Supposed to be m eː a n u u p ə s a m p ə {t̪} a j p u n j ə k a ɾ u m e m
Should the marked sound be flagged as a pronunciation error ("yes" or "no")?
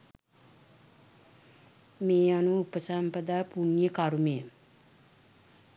yes